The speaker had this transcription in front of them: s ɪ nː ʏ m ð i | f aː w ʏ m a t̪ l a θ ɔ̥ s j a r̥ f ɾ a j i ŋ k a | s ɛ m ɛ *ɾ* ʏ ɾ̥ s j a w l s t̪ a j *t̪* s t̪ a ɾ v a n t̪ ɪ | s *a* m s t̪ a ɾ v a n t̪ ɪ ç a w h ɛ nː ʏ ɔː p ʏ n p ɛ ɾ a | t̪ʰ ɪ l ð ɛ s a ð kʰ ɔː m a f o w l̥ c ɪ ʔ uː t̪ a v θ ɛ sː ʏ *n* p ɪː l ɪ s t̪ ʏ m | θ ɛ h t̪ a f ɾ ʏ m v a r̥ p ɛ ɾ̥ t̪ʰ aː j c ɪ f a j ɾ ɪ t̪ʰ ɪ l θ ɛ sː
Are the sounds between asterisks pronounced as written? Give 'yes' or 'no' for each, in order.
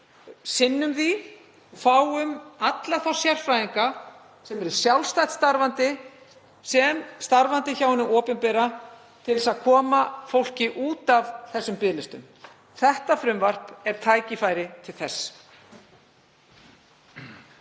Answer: yes, yes, no, no

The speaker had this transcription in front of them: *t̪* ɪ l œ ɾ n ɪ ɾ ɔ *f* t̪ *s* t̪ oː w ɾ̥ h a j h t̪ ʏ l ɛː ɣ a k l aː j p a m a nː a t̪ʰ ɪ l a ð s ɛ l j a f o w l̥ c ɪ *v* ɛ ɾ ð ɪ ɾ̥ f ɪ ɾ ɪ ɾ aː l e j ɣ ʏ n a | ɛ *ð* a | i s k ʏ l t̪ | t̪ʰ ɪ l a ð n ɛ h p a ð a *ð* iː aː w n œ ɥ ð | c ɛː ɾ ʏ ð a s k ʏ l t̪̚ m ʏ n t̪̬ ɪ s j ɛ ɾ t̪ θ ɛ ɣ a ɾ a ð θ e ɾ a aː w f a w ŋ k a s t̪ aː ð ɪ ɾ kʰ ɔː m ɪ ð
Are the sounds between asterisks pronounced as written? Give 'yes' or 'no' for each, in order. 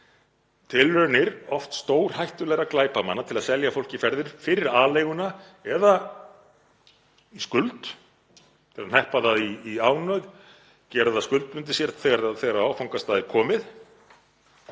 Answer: no, yes, yes, no, yes, yes

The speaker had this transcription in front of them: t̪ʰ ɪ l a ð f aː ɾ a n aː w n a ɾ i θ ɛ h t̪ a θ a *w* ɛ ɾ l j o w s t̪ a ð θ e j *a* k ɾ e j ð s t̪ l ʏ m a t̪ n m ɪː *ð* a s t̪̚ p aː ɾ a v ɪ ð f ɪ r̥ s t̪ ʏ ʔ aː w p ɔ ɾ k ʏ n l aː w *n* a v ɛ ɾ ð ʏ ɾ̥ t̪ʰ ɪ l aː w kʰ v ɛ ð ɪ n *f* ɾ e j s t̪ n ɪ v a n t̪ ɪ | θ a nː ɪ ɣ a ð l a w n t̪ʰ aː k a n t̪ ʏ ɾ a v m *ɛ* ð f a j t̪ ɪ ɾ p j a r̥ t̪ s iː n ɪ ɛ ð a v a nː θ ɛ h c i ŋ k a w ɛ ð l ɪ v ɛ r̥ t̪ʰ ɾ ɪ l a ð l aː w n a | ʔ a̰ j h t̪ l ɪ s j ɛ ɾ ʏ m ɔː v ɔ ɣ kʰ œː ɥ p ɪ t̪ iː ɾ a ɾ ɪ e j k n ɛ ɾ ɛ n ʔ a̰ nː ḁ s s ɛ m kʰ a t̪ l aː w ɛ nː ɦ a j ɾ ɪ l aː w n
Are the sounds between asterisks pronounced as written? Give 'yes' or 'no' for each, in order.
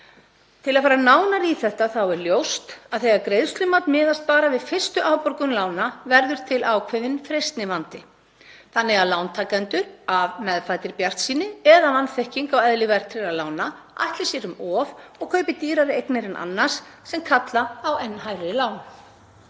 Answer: yes, yes, yes, yes, yes, yes

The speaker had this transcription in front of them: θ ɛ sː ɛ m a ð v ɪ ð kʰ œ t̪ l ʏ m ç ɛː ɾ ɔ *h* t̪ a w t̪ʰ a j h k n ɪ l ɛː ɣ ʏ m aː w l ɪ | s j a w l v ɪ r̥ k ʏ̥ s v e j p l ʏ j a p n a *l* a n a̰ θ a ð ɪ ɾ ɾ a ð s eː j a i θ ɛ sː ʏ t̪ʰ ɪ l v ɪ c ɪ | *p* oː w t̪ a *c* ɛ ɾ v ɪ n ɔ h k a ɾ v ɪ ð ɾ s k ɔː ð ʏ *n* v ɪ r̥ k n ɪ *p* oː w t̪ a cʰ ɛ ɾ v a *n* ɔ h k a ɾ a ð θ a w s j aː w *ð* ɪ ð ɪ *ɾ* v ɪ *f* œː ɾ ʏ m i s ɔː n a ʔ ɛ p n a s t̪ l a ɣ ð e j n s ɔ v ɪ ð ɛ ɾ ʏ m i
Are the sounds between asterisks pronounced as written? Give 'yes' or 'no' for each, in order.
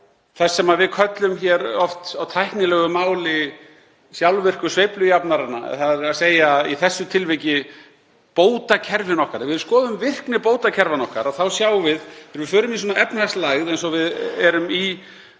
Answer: no, no, yes, no, no, yes, yes, no, yes, yes

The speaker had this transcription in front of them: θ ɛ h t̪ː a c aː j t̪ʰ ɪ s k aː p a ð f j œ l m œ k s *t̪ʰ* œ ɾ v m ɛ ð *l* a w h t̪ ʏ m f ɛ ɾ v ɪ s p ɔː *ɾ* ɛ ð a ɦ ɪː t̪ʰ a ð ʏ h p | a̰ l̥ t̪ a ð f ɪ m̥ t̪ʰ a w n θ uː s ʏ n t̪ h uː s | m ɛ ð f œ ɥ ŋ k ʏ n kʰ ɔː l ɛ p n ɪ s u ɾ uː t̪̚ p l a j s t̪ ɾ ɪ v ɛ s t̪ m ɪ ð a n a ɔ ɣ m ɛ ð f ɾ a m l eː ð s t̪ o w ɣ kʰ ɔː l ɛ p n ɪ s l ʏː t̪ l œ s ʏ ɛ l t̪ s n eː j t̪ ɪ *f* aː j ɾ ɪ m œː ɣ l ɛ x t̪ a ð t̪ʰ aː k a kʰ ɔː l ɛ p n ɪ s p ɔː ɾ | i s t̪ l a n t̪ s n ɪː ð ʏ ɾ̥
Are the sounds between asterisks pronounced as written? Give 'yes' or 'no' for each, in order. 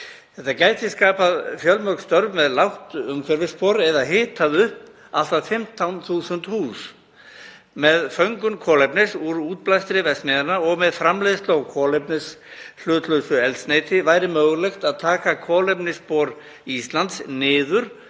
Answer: no, yes, yes, no

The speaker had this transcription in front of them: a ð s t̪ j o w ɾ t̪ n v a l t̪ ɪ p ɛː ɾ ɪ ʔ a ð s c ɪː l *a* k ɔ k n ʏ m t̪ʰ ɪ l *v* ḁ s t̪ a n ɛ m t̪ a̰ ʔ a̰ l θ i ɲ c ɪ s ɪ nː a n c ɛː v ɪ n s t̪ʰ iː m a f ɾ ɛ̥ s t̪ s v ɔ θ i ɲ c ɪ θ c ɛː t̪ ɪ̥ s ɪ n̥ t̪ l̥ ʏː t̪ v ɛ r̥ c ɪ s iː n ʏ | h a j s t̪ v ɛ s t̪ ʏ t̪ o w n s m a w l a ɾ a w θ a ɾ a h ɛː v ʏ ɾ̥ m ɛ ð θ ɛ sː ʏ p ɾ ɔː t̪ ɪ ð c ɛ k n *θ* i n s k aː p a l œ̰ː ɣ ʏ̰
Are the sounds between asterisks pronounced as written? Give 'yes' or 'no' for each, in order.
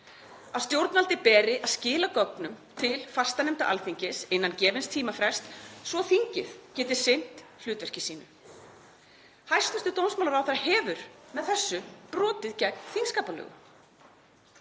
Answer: yes, no, yes

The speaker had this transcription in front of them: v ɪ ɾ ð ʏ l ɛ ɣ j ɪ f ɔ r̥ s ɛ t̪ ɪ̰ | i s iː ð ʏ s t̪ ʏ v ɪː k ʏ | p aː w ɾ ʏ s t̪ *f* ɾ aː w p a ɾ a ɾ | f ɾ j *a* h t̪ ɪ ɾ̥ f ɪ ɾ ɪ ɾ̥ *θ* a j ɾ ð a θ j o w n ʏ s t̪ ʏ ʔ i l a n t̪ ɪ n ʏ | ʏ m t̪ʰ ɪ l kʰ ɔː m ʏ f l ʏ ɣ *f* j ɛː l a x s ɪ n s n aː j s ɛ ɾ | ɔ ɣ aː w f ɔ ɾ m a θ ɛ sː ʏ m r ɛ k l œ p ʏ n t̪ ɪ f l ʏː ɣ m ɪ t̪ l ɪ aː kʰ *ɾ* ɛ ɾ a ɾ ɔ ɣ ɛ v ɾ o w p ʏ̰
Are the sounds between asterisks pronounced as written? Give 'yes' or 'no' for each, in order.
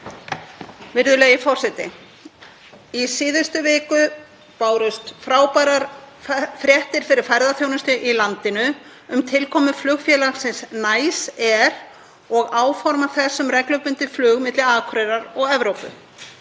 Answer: yes, no, no, yes, yes

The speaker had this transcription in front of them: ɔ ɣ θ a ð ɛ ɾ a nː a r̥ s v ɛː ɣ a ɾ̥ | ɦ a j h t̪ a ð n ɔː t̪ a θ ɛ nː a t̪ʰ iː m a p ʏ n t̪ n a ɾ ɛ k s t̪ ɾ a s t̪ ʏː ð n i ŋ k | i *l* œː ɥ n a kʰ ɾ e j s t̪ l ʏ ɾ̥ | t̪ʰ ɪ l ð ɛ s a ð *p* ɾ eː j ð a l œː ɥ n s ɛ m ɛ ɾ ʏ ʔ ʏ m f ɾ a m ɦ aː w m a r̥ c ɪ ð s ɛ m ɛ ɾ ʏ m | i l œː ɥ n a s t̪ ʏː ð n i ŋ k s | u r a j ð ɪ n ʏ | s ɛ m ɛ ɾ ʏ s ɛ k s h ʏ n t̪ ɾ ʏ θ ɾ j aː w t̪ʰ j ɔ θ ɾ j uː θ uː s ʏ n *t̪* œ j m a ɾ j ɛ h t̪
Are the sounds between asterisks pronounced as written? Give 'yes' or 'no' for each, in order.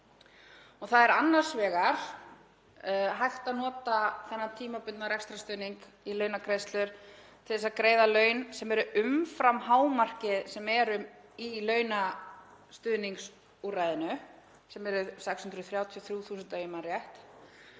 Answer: yes, no, yes

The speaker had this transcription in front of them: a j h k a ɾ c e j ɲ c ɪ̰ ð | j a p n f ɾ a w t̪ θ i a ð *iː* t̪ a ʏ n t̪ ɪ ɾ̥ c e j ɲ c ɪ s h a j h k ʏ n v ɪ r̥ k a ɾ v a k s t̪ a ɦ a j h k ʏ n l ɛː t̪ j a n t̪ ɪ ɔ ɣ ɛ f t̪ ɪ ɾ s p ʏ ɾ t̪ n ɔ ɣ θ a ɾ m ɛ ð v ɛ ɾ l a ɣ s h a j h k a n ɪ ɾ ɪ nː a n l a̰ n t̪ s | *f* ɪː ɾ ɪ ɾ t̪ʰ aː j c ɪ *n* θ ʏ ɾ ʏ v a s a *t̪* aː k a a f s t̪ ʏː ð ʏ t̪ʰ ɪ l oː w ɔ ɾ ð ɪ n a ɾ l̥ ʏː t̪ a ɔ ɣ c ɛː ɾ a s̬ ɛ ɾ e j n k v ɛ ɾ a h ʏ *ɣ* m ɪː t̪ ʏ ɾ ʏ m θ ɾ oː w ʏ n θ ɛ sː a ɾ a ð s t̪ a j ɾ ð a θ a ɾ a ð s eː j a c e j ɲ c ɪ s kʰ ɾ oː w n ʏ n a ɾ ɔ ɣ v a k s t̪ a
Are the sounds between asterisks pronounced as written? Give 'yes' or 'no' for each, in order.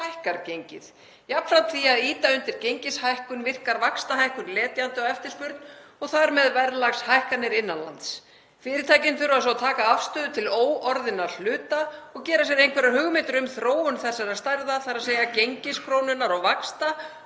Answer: yes, yes, yes, no, yes

